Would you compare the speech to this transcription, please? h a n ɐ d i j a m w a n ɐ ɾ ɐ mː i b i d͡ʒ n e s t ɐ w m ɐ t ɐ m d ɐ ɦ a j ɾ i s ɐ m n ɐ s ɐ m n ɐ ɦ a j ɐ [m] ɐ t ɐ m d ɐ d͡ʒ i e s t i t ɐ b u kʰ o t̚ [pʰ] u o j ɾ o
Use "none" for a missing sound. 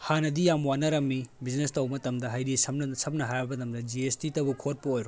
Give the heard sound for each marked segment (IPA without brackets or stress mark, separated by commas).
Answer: b, p